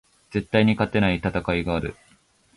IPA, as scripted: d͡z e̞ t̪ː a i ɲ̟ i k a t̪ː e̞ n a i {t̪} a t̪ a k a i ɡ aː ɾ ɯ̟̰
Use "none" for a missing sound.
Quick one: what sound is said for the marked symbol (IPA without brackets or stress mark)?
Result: t̪